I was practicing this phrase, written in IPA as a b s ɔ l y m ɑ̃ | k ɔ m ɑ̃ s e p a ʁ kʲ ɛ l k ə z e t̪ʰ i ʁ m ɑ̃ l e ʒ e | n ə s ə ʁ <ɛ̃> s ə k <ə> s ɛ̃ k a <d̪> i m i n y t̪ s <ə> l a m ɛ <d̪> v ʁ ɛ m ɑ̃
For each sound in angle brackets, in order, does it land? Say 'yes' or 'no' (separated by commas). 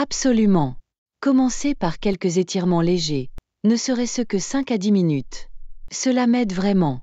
no, yes, yes, yes, yes